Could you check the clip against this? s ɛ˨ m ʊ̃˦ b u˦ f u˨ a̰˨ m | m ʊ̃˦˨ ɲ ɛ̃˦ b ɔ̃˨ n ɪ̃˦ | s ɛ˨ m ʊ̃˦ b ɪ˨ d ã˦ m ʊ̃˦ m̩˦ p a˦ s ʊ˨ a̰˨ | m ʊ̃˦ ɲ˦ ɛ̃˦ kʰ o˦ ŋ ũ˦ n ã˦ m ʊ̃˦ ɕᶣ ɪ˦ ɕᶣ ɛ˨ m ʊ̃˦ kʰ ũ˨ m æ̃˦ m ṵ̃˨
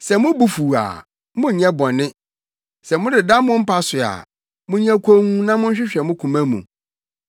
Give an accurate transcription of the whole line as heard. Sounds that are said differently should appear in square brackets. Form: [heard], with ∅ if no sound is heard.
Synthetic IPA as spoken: s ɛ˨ m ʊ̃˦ b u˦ f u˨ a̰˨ [∅] | m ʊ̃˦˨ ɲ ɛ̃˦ b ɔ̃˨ n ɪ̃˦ | s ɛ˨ m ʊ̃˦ [d] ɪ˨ d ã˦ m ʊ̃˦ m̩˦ p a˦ s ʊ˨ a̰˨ | m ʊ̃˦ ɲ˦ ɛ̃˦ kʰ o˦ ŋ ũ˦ n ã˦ m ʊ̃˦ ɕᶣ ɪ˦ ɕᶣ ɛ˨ m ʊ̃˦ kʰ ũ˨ m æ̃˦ m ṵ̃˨

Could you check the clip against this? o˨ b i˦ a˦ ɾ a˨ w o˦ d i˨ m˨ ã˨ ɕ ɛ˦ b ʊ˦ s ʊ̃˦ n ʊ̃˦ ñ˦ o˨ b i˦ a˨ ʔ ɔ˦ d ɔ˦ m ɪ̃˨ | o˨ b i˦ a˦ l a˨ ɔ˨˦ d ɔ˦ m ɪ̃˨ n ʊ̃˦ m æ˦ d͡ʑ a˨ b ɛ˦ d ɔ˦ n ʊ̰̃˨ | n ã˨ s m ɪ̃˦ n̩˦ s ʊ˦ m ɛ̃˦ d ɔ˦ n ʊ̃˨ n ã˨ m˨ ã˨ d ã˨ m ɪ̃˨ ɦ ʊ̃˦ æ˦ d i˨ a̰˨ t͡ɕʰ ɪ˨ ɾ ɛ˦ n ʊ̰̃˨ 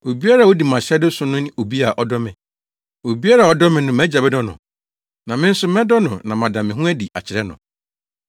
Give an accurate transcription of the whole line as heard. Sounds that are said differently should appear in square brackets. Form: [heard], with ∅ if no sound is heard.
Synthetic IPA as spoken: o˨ b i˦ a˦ ɾ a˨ w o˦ d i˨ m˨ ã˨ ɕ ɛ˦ [d] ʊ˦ s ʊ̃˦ n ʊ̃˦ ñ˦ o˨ b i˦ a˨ ʔ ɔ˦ d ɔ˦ m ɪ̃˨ | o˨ b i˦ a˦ [ɾ] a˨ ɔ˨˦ d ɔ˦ m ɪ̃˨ n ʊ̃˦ m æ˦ d͡ʑ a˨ b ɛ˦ d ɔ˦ n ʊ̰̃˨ | n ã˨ [∅] m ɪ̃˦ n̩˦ s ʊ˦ m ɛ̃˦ d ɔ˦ n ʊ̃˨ n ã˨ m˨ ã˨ d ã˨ m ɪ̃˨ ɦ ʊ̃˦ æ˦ d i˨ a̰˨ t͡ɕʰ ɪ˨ ɾ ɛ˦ n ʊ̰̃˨

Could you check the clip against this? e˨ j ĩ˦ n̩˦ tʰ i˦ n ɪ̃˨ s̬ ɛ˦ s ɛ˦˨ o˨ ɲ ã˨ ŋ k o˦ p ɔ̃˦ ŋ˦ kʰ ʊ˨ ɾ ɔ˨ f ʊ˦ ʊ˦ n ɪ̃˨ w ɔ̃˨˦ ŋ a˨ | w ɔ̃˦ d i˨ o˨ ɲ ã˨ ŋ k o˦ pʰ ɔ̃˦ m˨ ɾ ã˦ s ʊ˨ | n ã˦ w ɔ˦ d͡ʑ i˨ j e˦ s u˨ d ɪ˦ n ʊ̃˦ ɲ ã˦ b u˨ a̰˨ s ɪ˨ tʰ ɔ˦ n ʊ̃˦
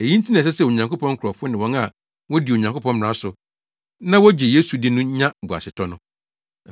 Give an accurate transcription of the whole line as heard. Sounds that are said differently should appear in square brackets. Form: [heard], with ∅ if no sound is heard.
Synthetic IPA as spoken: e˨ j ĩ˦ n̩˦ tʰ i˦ n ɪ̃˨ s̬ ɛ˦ s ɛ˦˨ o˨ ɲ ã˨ ŋ k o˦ p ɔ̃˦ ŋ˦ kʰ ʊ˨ ɾ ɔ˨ f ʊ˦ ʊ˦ n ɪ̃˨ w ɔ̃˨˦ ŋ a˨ | w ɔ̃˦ d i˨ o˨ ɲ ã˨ ŋ k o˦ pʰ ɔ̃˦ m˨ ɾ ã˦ s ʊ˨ | n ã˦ w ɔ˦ d͡ʑ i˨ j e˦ s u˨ d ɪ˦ n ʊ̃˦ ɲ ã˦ b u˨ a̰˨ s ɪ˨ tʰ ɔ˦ n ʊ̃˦

